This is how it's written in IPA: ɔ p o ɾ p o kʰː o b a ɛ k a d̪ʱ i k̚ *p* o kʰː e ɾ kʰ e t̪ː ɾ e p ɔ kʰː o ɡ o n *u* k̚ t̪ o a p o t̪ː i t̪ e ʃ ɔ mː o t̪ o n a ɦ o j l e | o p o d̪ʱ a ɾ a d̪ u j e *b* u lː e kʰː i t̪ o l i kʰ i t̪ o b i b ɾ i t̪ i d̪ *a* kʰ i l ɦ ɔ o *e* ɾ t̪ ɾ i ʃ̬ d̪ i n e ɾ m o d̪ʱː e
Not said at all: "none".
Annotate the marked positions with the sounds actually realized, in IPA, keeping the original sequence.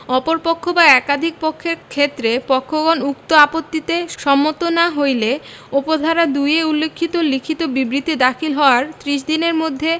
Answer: p, u, none, a, a

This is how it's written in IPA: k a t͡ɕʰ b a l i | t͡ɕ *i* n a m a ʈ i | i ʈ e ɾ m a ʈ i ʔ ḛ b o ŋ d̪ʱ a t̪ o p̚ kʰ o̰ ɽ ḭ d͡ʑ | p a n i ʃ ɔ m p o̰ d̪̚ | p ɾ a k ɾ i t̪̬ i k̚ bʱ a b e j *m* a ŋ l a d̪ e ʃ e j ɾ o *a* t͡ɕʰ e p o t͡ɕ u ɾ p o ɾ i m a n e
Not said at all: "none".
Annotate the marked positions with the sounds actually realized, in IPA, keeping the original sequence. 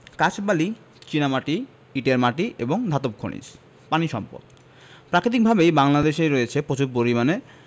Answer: i, b, e

